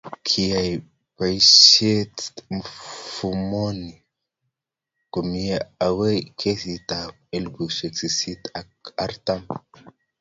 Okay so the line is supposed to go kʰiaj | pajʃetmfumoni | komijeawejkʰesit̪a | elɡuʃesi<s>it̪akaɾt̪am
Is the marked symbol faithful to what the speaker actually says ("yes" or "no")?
yes